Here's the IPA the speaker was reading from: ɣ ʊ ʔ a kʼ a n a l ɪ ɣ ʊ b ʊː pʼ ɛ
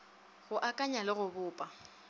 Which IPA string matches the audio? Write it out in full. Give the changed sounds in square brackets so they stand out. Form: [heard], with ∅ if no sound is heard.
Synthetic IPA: ɣ ʊ ʔ a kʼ a [ɲ] a l ɪ ɣ ʊ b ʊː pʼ [a]